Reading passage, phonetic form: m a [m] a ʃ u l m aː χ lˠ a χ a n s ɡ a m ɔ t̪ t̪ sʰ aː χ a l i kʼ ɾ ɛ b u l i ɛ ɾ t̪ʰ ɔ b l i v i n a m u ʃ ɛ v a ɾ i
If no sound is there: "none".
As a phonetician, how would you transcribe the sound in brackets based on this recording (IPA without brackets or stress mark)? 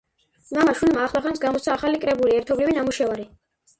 m